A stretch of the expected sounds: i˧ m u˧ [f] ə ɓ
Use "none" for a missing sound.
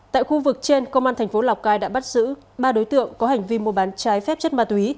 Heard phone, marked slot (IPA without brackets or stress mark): none